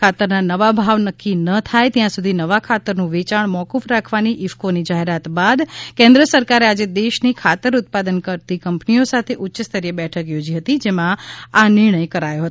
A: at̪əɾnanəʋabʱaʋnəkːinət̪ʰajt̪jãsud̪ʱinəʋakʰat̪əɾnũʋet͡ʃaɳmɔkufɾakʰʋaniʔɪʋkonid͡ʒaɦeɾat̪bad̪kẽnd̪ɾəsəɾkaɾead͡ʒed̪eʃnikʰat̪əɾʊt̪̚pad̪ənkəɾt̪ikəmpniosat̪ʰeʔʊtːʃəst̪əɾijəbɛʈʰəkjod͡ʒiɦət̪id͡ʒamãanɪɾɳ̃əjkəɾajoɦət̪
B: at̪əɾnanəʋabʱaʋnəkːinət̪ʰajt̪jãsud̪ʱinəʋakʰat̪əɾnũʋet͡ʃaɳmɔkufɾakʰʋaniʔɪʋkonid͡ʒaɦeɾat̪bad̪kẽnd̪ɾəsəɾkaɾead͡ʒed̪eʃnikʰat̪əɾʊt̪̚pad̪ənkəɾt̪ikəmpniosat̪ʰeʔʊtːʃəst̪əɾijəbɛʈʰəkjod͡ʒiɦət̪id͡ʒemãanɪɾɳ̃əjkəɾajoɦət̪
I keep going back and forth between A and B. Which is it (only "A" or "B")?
B